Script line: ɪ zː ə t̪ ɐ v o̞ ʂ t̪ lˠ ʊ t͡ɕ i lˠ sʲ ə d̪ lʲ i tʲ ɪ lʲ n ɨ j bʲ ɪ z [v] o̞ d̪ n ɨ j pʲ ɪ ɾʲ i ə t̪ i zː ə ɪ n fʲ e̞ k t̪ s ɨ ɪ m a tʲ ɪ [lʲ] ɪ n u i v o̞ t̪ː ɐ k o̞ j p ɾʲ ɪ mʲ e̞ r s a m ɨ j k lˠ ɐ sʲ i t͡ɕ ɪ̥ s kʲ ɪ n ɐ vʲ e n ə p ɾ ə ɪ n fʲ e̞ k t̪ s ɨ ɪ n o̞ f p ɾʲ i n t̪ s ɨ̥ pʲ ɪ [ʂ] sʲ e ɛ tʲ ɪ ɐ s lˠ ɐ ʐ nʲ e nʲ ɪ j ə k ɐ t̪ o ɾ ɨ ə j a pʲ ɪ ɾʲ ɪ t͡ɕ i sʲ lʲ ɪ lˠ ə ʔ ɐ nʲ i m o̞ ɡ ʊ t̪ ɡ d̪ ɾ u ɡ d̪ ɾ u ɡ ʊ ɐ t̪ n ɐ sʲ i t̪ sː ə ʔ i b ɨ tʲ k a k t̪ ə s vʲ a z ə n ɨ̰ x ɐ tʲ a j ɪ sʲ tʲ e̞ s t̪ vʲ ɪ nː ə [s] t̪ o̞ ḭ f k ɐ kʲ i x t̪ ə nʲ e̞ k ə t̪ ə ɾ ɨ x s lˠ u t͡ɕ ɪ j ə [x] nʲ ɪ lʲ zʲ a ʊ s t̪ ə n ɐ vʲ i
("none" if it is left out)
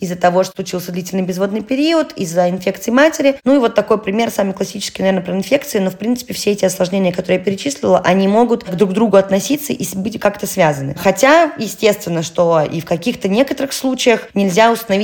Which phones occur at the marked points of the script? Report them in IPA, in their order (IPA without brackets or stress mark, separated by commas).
v, ɾʲ, f, ʂ, x